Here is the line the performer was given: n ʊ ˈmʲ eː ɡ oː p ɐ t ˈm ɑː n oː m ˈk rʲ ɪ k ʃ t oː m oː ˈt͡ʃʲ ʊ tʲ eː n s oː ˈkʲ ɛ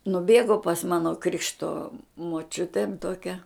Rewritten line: n ʊ ˈbʲ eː ɡ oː p ɐ s ˈm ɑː n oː ˈk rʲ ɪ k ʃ t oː m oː ˈt͡ʃʲ ʊ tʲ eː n t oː ˈkʲ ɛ